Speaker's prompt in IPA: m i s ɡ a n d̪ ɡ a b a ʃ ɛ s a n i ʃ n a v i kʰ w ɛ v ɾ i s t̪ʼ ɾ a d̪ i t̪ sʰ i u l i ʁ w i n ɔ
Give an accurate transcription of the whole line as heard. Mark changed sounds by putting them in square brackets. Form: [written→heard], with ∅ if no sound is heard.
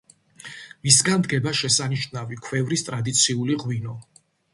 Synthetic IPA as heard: m i s ɡ a n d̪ ɡ [a→ɛ] b a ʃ ɛ s a n i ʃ n a v i kʰ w ɛ v ɾ i s t̪ʼ ɾ a d̪ i t̪ sʰ i u l i ʁ w i n ɔ